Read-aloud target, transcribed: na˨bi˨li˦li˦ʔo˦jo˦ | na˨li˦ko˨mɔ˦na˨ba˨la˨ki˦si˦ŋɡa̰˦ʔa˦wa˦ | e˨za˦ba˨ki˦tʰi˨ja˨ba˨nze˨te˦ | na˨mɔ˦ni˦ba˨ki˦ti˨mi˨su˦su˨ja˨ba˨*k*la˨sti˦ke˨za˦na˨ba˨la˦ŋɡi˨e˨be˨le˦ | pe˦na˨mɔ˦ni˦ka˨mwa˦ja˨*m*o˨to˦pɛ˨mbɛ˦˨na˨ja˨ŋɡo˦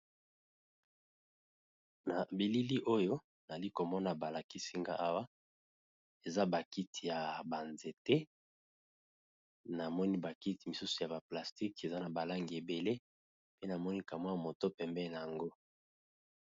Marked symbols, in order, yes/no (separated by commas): no, yes